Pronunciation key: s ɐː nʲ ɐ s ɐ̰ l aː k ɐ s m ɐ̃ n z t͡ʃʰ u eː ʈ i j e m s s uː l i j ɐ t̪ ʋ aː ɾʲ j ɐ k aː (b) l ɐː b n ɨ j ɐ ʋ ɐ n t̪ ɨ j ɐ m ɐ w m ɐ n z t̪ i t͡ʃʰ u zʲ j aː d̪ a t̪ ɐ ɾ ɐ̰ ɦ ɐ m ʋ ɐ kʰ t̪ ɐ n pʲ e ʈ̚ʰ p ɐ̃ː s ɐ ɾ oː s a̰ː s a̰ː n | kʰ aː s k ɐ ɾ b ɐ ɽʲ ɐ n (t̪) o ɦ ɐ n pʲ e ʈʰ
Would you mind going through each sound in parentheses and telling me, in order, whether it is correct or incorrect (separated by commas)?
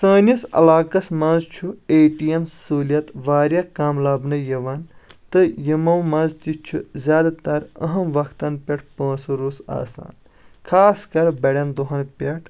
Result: incorrect, incorrect